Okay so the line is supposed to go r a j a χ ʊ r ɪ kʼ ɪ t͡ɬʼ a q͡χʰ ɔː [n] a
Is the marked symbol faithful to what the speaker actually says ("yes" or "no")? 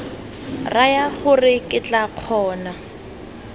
yes